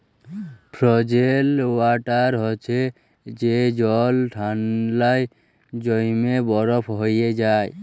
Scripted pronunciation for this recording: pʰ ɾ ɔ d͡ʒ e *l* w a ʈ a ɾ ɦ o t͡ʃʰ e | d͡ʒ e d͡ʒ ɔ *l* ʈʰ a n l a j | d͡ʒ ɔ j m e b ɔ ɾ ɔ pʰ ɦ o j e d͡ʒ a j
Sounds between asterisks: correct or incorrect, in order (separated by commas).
correct, correct